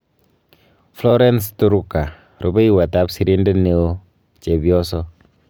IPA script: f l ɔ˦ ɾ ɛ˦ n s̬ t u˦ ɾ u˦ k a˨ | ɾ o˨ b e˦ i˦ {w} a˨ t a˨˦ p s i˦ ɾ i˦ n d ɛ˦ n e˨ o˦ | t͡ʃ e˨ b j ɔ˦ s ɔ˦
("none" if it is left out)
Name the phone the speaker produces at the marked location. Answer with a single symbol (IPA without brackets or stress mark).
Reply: w